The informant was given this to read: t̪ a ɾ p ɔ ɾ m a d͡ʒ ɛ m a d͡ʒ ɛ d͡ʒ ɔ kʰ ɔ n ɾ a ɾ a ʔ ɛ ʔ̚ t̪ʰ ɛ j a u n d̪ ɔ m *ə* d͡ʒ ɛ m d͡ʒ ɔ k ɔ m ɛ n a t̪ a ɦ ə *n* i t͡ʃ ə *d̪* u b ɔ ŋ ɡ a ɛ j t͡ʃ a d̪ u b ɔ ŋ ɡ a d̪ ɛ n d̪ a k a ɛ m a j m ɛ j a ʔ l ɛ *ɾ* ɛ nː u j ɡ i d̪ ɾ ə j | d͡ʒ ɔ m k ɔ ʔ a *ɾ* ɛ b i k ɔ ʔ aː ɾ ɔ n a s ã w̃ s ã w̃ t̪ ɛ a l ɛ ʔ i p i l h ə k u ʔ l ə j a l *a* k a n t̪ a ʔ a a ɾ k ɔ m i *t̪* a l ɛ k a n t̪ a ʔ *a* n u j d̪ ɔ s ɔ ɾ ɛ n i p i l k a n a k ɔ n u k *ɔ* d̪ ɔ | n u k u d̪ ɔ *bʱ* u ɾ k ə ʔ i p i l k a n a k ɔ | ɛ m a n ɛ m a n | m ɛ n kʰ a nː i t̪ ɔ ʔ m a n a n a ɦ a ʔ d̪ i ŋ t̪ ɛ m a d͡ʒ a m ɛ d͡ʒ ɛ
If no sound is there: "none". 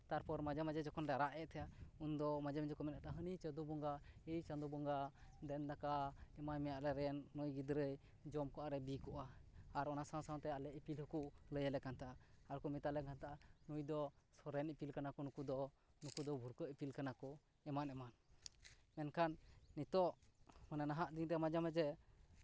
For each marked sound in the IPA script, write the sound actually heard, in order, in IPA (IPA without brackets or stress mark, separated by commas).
a, n, d̪, ɾ, ɾ, ɛ, t̪, a, u, bʱ